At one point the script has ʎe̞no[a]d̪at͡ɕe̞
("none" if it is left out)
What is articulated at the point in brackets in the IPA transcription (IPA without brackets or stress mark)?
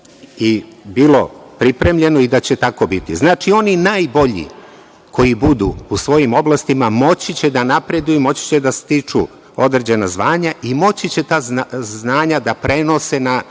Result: i